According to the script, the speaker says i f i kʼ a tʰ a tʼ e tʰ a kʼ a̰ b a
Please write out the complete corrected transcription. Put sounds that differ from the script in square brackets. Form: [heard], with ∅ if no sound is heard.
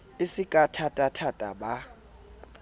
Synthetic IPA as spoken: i [s] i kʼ a tʰ a tʼ [a] tʰ a [tʼ] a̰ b a